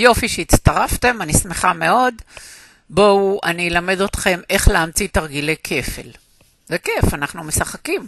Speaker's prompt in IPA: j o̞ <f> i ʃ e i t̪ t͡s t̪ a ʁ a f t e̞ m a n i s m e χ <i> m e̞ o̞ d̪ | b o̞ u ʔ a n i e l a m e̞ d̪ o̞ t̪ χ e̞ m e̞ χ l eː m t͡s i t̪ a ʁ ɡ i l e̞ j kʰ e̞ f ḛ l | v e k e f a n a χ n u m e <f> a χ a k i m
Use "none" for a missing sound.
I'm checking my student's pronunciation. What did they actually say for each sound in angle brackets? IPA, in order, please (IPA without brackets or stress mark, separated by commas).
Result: f, a, s